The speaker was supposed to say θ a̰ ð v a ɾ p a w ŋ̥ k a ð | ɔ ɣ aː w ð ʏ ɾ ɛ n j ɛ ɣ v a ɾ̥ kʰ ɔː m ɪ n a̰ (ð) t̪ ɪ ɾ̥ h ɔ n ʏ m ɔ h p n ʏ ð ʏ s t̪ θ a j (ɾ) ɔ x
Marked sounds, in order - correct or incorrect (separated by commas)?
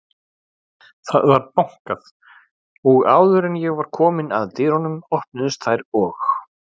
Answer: correct, correct